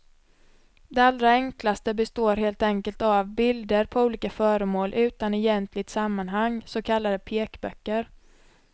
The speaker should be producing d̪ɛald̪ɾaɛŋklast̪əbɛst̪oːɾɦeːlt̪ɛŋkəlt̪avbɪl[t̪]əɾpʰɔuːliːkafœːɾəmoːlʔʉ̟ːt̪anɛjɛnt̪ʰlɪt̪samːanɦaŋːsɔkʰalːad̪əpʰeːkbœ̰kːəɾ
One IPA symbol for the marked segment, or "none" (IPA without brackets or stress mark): d̪